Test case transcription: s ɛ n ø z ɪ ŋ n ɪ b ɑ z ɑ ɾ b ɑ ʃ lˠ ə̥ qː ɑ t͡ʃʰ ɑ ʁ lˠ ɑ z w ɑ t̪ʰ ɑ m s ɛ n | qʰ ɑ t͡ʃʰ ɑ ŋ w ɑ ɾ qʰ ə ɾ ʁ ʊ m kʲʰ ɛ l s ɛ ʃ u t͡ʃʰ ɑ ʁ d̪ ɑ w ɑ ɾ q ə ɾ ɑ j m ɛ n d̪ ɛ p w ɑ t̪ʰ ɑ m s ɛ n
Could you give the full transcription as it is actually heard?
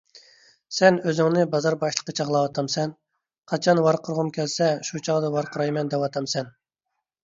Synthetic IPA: s ɛ n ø z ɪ ŋ n ɪ b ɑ z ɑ ɾ b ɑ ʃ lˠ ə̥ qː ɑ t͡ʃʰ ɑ ʁ lˠ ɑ w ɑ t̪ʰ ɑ m s ɛ n | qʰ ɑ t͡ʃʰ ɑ n w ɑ ɾ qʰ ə ɾ ʁ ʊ m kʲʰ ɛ l s ɛ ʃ u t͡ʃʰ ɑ ʁ d̪ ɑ w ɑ ɾ q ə ɾ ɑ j m ɛ n d̪ ɛ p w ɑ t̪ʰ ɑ m s ɛ n